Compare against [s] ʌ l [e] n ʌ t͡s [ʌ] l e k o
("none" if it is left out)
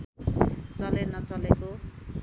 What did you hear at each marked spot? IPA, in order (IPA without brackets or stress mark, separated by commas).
t͡s, e, ʌ